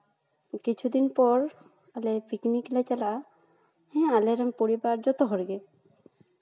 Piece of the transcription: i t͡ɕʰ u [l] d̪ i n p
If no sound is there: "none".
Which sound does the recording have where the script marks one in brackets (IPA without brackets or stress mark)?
none